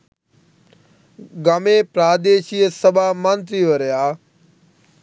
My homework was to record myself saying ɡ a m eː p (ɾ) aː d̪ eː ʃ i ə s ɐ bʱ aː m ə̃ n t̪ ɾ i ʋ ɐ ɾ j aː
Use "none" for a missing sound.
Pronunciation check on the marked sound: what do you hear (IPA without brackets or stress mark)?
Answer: ɾ